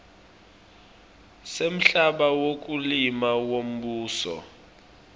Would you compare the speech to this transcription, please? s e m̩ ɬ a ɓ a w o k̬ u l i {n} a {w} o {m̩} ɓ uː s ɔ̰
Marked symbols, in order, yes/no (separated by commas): no, yes, yes